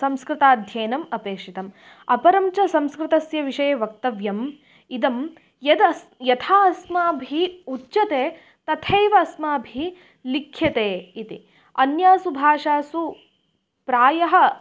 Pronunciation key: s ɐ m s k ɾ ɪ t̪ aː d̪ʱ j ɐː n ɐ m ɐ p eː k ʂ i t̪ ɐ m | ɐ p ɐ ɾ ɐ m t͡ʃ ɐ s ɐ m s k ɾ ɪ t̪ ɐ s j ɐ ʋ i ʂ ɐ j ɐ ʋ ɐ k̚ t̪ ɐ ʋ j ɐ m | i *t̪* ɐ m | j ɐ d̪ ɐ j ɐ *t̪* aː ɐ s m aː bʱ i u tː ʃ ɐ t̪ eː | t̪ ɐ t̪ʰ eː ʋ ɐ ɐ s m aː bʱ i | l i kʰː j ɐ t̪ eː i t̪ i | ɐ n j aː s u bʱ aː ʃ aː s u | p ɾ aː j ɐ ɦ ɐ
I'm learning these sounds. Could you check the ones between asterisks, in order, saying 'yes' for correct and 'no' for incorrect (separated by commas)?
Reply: no, no